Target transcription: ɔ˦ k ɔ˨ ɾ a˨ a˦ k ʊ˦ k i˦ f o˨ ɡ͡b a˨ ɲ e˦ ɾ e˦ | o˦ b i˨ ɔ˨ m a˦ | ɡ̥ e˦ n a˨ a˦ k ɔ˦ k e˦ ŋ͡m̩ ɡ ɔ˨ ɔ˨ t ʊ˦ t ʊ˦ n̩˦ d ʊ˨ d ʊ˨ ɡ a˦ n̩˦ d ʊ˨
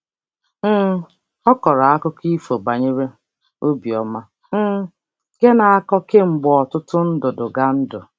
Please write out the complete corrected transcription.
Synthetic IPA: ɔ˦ k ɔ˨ ɾ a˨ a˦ k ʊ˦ k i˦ f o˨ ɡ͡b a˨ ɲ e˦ ɾ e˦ | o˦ b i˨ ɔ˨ m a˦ | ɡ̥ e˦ n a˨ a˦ k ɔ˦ k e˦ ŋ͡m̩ ɡ͡b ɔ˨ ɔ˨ t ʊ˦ t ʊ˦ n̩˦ d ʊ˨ d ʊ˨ ɡ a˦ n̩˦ d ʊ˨

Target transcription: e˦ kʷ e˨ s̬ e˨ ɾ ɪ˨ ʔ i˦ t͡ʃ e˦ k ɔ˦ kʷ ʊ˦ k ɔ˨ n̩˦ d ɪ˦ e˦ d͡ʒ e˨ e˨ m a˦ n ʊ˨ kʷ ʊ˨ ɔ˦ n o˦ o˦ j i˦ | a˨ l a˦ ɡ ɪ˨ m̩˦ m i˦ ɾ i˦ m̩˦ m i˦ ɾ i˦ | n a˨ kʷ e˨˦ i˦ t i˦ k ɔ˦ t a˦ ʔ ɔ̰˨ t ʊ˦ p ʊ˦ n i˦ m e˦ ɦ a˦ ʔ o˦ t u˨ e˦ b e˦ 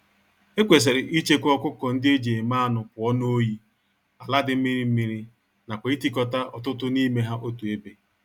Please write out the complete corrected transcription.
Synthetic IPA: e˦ kʷ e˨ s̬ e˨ ɾ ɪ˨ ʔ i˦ t͡ʃ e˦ k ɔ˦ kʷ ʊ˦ k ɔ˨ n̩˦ d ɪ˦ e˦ d͡ʒ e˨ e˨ m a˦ n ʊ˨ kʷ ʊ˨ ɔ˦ n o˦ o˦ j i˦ | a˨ l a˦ d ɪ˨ m̩˦ m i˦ ɾ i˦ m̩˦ m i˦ ɾ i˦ | n a˨ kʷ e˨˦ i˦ t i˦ k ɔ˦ t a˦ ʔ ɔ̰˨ t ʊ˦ t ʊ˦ n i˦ m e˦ ɦ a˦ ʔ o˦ t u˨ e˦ b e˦

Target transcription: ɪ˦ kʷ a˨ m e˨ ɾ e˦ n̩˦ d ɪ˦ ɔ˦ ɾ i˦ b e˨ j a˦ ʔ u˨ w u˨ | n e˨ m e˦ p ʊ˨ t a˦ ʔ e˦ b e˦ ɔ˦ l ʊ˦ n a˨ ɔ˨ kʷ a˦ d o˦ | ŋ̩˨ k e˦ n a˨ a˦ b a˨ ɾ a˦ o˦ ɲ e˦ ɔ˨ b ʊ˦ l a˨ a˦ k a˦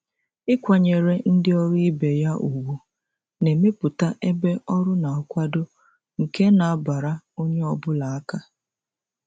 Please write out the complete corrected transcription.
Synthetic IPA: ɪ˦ kʷ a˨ ɲ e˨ ɾ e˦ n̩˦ d ɪ˦ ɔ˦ ɾ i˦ b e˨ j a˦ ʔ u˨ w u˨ | n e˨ m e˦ p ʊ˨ t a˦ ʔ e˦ b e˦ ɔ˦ ɾ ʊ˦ n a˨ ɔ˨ kʷ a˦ d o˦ | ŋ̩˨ k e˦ n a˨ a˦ b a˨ ɾ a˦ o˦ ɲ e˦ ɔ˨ b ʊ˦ l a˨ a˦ k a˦

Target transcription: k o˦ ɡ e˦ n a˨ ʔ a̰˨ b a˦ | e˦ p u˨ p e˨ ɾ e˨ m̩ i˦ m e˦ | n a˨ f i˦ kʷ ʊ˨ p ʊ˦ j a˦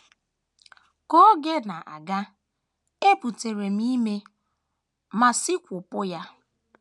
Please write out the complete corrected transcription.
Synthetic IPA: k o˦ ɡ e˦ n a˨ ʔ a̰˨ ɡ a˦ | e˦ p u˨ t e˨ ɾ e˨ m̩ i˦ m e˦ | m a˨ s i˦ kʷ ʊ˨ p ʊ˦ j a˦

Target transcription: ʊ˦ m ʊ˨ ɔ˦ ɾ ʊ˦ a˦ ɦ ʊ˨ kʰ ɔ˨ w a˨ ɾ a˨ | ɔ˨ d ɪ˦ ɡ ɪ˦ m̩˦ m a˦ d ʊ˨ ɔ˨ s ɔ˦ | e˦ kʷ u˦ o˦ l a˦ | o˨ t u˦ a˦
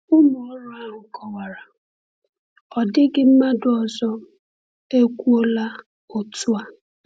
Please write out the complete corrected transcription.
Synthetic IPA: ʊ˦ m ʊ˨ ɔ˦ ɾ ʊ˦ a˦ ɦ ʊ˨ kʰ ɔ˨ w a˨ ɾ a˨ | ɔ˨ d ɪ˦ ɡ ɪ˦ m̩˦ m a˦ d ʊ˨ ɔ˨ z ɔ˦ | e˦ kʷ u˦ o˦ l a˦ | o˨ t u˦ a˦

